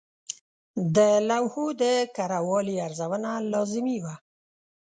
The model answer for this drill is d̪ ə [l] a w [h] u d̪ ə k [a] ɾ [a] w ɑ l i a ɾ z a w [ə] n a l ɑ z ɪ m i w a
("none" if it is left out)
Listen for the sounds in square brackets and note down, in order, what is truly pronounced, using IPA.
l, h, a, a, ə

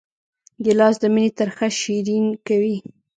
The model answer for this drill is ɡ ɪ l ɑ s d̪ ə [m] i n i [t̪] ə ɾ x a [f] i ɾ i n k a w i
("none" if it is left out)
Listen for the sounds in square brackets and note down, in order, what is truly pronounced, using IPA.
m, t̪, ʃ

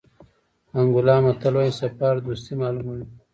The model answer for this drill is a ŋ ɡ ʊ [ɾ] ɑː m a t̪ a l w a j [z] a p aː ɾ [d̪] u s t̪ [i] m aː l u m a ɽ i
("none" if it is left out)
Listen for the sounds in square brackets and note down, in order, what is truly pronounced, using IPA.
l, s, d̪, i

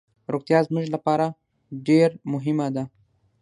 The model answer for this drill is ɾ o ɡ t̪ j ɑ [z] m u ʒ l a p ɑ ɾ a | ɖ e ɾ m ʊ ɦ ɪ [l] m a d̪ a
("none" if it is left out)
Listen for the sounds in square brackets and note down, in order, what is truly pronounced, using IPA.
z, none

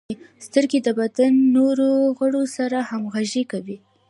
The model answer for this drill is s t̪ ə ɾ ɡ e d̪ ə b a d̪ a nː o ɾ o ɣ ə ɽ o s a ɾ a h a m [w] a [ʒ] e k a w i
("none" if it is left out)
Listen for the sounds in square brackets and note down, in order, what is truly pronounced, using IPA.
ɣ, ʒ

